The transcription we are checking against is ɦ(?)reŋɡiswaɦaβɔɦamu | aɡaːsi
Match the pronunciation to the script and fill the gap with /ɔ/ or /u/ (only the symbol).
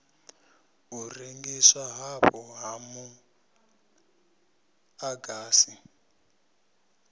u